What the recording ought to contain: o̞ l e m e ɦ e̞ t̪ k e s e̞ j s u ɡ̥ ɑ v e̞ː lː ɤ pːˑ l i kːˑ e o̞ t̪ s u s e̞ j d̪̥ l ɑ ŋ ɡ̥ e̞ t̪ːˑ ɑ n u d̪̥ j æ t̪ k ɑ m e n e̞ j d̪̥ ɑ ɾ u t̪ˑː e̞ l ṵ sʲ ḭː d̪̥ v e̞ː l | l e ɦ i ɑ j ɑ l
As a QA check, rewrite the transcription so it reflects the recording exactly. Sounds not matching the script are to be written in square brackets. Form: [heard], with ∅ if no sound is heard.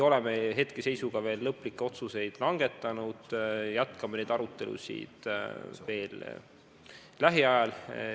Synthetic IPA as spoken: o̞ l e m e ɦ e̞ t̪ k e s e̞ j s u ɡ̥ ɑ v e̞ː lː ɤ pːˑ l i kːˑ e o̞ t̪ s u s e̞ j d̪̥ l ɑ ŋ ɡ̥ e̞ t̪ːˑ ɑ n u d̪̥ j æ t̪ k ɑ m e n e̞ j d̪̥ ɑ ɾ u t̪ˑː e̞ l ṵ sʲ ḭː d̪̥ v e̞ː l | l [æ] ɦ i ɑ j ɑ l